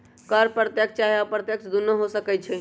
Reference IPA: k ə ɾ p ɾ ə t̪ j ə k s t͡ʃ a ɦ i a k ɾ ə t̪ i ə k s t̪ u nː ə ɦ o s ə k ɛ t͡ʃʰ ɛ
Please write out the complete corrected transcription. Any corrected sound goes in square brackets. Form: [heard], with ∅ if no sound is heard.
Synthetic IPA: k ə ɾ p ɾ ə t̪ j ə k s t͡ʃ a ɦ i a [p] ɾ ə t̪ [j] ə k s [d̪] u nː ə ɦ o s ə k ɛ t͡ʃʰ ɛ